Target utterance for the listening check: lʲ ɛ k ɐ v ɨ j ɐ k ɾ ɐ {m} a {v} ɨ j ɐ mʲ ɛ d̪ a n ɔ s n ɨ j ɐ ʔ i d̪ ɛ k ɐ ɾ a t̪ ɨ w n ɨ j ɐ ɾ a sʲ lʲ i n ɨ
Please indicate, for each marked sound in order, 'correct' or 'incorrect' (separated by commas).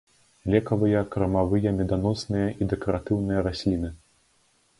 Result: correct, correct